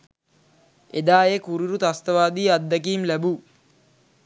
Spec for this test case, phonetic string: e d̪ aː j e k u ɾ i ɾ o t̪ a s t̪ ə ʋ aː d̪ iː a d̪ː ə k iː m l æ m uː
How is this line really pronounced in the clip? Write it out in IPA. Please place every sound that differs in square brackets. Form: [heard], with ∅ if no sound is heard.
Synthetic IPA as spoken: e d̪ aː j e k u ɾ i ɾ [u] t̪ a s t̪ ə ʋ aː d̪ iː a d̪ː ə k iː m l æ [b] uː